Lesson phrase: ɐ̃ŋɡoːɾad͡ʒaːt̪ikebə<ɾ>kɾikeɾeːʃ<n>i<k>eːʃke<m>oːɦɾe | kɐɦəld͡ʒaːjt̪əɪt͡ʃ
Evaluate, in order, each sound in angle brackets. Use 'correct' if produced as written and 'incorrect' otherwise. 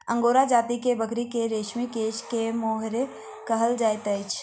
incorrect: none, incorrect: m, correct, correct

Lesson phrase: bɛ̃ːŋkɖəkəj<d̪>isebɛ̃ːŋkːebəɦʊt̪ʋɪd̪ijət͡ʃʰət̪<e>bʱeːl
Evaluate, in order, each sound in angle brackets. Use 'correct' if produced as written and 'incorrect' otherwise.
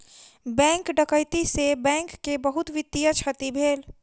incorrect: t̪, incorrect: i

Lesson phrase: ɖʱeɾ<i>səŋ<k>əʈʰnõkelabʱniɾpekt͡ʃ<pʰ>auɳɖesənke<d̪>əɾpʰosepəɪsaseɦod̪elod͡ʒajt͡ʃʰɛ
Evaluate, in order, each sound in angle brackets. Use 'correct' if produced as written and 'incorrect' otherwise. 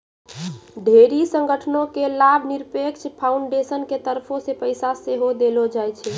correct, incorrect: ɡ, correct, incorrect: t̪

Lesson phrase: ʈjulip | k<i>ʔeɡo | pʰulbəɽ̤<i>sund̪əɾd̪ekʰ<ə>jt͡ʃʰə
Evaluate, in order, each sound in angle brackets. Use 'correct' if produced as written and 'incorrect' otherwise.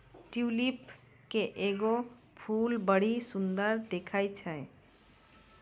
incorrect: e, correct, incorrect: a

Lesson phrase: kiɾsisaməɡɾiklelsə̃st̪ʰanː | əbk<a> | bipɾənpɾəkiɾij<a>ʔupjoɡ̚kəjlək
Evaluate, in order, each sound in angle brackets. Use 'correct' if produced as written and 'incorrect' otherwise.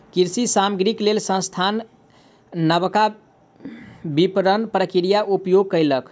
correct, correct

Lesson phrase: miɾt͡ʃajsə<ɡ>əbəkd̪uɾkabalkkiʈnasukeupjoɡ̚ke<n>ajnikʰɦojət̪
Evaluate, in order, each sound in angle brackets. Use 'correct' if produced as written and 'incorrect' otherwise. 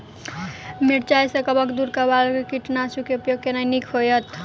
incorrect: k, correct

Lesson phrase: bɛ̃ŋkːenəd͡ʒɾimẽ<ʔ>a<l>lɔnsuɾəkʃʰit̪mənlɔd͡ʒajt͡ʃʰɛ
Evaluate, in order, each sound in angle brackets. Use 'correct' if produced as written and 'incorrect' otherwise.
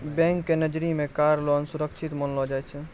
incorrect: k, incorrect: ɾ

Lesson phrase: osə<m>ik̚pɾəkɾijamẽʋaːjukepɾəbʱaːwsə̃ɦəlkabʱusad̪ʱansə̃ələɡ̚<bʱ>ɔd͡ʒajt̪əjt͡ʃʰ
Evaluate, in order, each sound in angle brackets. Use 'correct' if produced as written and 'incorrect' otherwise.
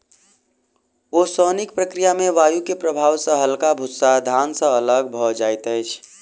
incorrect: n, correct

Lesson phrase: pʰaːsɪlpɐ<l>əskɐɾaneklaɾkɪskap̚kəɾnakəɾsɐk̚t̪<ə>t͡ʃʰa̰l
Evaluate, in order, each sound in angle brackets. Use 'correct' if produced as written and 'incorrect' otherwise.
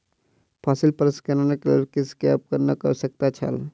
incorrect: ɾ, incorrect: a

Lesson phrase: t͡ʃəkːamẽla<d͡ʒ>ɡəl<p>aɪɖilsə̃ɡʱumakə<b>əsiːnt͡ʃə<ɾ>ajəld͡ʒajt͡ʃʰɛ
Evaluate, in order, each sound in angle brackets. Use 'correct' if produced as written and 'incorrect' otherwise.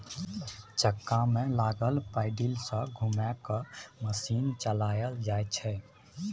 incorrect: none, correct, incorrect: m, incorrect: l

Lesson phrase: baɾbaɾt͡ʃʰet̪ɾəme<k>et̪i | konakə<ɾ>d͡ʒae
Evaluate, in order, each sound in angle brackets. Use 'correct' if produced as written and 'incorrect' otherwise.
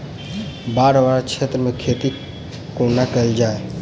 incorrect: kʰ, incorrect: l

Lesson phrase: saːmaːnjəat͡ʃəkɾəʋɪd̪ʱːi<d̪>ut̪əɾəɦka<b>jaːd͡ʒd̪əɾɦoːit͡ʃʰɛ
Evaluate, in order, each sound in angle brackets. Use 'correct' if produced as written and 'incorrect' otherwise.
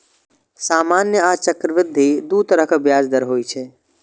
correct, correct

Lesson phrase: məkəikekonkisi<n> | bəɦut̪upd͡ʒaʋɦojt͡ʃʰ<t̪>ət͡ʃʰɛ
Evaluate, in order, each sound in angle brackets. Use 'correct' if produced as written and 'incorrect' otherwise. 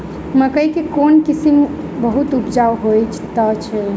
incorrect: m, correct

